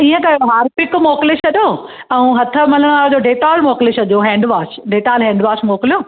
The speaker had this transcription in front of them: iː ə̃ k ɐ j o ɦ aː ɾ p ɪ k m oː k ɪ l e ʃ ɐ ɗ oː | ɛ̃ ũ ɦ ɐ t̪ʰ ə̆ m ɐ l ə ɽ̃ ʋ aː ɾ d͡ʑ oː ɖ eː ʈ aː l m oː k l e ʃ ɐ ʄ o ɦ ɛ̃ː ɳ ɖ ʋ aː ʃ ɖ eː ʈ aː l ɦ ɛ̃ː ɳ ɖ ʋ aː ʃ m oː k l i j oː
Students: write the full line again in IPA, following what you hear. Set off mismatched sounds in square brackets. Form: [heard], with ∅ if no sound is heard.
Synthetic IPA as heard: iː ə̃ k ɐ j o ɦ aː ɾ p ɪ k m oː k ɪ l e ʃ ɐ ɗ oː | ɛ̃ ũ ɦ ɐ t̪ʰ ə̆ m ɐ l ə ɽ̃ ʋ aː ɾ d͡ʑ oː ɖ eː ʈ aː l m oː k l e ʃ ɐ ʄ o ɦ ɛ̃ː ɳ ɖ ʋ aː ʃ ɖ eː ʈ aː l ɦ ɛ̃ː ɳ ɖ ʋ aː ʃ m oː k l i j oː